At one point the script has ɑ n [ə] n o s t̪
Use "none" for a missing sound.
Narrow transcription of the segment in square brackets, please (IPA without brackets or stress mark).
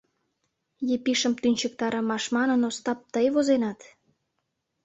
ə